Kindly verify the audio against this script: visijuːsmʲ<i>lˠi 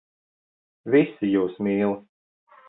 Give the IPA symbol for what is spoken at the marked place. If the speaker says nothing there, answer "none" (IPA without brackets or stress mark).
iː